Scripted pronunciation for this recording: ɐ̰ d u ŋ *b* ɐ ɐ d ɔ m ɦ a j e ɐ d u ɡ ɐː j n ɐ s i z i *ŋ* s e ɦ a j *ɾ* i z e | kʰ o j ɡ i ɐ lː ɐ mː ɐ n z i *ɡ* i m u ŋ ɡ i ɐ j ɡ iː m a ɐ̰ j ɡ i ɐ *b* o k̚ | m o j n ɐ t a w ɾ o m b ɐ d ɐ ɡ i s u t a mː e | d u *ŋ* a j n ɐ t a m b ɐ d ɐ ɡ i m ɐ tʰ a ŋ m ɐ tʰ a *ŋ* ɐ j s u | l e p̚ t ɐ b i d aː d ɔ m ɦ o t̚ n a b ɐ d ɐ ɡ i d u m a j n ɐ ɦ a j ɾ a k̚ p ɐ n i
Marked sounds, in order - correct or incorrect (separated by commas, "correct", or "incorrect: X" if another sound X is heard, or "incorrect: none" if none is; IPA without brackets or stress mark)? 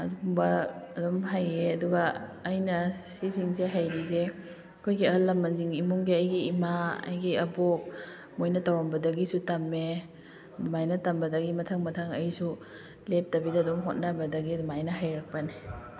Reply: correct, correct, correct, incorrect: ŋ, correct, incorrect: m, correct